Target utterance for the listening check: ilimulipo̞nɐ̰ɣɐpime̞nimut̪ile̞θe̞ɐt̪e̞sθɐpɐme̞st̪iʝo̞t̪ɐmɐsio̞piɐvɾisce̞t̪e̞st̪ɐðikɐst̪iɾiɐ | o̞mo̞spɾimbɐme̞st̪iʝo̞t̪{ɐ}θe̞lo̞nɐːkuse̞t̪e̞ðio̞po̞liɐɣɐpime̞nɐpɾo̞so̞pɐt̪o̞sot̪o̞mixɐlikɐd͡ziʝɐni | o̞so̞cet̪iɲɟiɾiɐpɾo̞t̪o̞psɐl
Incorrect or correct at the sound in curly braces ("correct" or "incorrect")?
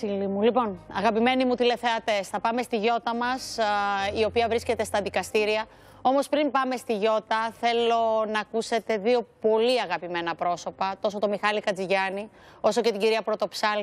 correct